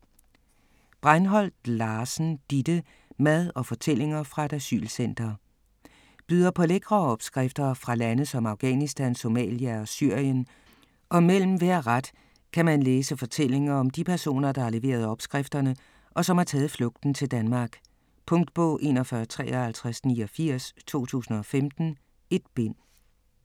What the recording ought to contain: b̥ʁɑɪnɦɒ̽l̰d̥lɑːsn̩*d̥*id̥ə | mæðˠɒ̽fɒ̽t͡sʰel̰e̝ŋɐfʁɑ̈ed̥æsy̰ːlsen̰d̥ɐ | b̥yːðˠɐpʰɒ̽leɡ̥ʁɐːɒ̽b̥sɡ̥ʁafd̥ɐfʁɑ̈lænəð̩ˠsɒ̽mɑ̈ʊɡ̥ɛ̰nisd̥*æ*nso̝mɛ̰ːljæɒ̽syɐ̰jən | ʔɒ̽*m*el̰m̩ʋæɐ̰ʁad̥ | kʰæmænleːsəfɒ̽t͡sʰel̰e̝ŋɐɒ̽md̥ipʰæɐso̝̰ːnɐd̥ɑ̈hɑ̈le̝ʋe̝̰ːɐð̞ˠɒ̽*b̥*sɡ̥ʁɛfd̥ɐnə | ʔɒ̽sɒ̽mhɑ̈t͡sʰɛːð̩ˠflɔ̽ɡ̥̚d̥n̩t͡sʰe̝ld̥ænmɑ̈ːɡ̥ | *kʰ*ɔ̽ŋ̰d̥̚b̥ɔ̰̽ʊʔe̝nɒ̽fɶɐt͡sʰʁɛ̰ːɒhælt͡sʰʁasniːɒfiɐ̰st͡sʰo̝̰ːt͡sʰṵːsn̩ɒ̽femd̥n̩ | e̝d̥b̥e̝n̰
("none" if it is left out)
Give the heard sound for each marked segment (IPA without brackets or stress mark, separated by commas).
d̥, æ, m, b̥, pʰ